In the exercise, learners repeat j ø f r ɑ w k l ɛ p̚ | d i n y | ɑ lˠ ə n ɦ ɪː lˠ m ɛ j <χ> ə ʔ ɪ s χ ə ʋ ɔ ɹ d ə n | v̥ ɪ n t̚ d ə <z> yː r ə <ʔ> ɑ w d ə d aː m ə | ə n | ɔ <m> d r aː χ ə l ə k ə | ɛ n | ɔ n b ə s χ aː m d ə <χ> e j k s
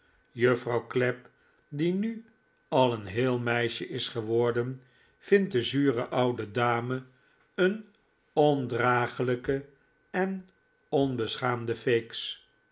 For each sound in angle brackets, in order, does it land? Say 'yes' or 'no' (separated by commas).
no, yes, yes, no, no